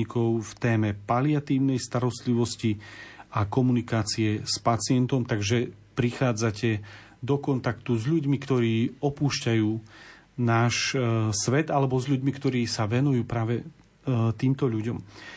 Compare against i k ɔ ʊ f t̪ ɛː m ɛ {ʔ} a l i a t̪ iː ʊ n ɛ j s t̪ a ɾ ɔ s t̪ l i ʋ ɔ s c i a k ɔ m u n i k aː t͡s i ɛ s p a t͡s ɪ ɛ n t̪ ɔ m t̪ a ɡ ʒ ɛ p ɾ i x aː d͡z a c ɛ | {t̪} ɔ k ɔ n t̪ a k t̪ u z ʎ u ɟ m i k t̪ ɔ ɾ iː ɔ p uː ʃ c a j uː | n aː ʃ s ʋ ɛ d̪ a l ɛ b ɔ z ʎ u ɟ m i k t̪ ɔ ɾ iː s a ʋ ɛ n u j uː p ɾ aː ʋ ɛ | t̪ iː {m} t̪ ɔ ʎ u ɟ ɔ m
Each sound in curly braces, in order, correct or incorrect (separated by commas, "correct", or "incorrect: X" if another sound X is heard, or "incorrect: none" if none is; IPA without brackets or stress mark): incorrect: p, incorrect: d̪, correct